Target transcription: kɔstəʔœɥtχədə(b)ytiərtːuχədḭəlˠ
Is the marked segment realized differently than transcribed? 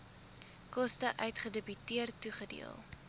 no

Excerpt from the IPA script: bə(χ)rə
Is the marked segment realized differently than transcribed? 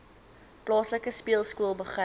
no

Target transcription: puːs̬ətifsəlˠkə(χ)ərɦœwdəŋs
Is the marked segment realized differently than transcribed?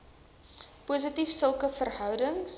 yes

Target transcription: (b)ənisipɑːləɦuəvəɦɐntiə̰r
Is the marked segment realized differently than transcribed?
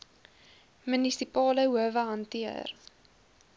yes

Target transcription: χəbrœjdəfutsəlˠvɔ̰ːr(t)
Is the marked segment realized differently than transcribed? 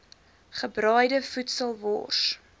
yes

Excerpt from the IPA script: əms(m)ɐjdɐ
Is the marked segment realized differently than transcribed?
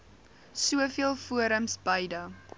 yes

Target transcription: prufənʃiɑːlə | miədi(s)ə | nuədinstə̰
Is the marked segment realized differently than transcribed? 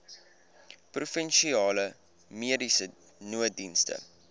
no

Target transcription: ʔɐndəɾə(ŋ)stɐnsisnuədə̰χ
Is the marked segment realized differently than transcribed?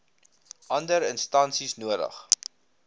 yes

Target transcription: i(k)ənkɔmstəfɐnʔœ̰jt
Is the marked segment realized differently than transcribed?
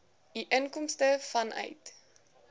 yes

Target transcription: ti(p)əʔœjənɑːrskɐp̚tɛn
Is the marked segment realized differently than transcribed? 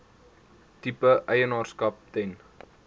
no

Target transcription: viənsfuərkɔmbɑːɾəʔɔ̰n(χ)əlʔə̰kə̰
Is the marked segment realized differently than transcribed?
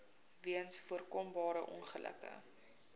no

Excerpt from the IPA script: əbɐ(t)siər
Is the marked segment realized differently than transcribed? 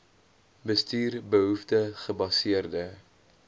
yes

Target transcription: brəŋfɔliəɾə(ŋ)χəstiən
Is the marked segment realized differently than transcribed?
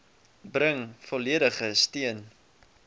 yes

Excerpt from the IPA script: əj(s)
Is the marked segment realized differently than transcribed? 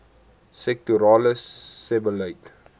yes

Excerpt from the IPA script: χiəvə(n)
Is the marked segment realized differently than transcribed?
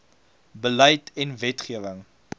yes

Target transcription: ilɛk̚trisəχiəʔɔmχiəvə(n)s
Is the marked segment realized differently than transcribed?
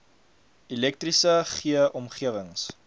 yes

